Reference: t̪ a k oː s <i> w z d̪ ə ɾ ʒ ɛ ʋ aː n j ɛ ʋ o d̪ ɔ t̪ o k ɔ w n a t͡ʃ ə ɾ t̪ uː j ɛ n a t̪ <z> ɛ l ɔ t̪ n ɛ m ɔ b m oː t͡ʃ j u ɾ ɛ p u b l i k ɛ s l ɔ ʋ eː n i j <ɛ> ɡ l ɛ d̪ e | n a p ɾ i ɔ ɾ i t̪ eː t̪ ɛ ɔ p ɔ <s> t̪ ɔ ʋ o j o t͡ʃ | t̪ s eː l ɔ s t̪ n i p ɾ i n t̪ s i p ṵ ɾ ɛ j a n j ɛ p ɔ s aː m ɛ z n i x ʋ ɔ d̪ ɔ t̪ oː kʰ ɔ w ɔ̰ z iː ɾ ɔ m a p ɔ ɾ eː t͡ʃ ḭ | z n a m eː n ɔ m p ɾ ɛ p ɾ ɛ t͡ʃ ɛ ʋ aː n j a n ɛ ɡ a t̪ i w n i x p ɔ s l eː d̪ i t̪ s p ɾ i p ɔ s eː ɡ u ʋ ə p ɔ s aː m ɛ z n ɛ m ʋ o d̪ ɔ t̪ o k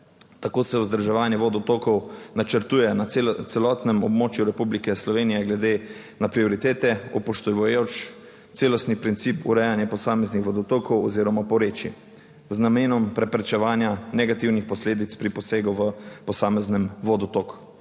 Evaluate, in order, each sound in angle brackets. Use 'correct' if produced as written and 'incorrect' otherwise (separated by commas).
incorrect, incorrect, correct, incorrect